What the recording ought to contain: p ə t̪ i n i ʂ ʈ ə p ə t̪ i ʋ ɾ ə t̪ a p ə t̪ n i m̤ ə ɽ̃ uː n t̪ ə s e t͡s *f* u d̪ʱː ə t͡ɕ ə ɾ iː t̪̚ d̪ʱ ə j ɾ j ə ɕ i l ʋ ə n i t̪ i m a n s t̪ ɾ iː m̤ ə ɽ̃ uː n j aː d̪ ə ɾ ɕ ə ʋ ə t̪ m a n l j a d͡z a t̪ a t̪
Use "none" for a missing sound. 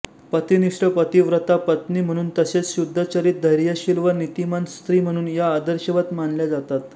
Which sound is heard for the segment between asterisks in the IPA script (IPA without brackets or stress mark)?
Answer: ɕ